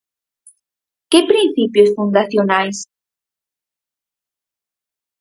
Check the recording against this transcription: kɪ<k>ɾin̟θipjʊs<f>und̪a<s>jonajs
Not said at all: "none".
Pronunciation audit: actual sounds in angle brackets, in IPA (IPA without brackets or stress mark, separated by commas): p, f, θ